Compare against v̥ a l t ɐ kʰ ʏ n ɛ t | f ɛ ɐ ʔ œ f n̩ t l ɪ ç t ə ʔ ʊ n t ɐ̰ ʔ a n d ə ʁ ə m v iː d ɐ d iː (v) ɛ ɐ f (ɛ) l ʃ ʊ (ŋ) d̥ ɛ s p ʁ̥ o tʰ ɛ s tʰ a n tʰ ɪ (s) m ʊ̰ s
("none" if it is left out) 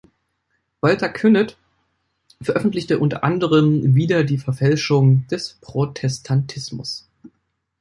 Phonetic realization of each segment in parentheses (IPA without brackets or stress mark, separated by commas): f, ɛ, ŋ, s